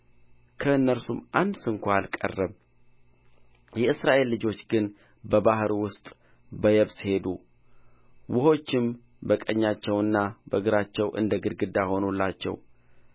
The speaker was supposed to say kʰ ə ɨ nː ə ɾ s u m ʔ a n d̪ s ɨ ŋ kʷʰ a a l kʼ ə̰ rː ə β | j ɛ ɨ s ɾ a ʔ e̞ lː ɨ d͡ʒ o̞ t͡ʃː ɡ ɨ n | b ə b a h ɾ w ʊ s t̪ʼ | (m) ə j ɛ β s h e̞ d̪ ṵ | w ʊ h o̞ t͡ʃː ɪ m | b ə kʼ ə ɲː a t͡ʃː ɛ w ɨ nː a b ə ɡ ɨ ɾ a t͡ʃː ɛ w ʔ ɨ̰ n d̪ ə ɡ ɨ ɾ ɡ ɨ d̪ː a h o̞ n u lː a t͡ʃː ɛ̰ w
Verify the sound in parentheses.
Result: incorrect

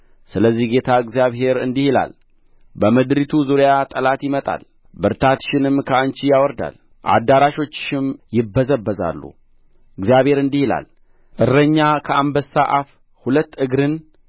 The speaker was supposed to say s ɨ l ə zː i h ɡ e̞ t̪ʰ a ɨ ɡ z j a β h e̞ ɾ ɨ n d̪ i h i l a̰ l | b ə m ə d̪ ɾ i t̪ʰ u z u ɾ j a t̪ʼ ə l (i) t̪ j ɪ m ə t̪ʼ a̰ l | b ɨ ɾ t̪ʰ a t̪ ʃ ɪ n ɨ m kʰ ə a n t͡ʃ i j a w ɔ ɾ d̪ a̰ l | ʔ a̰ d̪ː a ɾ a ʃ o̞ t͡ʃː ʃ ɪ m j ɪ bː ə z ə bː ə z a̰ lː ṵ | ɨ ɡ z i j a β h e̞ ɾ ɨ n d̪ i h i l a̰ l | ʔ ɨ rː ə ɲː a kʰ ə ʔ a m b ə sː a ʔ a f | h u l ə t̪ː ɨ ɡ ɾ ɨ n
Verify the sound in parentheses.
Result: incorrect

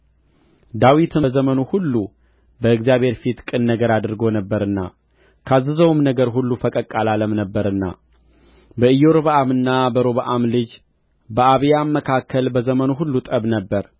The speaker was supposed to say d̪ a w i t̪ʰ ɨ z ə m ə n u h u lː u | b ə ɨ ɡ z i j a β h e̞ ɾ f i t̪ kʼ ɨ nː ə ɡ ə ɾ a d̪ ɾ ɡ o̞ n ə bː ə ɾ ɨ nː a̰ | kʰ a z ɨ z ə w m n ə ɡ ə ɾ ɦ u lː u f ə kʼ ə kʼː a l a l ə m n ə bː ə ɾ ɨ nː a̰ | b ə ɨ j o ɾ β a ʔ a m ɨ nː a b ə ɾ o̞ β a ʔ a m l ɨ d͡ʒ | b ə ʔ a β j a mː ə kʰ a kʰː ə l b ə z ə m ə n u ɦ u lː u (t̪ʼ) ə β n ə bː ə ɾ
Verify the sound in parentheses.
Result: correct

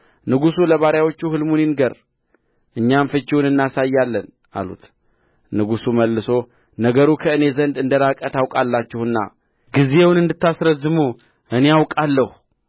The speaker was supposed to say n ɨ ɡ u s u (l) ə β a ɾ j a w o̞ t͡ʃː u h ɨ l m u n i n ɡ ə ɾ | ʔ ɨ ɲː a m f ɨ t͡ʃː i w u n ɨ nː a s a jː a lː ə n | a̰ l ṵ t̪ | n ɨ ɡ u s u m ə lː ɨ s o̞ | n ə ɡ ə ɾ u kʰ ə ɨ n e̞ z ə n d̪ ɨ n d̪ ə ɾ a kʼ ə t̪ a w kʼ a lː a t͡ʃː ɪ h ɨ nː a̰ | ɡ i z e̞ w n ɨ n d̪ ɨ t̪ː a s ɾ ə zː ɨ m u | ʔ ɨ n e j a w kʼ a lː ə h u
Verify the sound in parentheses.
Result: correct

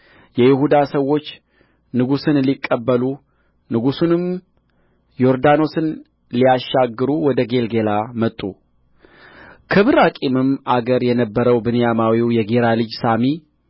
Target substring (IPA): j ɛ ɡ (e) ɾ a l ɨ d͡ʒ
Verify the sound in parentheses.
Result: correct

